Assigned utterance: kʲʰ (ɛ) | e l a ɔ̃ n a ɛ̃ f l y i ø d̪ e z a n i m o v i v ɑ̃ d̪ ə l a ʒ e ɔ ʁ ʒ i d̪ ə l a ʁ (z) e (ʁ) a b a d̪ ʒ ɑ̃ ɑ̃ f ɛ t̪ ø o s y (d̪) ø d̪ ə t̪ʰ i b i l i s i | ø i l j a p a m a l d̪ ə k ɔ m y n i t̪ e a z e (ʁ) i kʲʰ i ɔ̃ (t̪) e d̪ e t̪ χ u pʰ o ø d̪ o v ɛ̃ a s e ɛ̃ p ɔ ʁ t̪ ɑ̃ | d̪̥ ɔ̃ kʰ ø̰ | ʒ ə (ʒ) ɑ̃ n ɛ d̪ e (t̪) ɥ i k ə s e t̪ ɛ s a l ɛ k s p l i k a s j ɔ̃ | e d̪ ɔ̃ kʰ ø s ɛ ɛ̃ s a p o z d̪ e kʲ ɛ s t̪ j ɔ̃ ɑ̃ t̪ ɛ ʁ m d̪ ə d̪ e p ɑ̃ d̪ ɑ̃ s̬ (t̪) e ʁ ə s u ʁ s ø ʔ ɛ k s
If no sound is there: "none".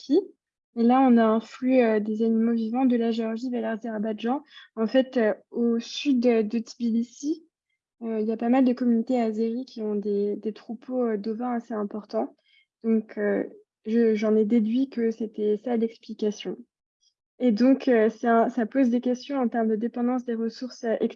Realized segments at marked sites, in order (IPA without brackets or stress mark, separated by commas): i, z, ʁ, d̪, ʁ, d̪, ʒ, d̪, d̪